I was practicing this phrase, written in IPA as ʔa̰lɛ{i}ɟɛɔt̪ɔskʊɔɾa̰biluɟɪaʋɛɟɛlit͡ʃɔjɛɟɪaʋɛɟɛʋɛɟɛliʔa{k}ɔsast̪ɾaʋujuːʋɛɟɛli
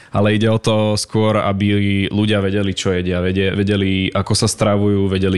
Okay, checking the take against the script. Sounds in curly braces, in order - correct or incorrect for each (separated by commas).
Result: correct, correct